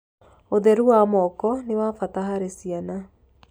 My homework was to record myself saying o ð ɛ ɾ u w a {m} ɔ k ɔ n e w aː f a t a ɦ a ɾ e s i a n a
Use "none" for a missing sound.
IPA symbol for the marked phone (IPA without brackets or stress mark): m